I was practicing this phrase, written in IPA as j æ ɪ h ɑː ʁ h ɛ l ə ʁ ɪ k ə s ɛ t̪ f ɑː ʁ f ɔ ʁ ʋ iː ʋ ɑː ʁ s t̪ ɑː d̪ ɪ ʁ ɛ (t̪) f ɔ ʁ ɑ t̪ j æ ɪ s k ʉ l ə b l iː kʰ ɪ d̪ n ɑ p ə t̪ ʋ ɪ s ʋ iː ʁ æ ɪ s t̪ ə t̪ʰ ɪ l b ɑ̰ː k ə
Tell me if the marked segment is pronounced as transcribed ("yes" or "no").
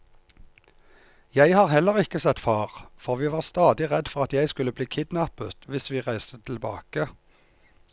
no